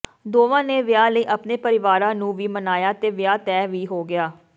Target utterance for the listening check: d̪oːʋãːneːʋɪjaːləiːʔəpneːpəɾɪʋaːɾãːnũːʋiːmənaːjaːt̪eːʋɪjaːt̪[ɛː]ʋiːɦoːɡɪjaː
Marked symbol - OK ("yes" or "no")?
yes